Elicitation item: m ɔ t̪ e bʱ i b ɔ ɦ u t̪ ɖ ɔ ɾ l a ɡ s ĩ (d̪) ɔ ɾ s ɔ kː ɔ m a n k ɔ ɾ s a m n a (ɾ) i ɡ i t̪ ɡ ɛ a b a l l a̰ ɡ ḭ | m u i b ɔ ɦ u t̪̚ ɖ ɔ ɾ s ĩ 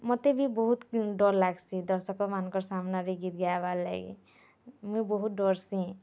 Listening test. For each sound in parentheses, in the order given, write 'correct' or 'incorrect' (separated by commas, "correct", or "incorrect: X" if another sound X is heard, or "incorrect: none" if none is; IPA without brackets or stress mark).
correct, correct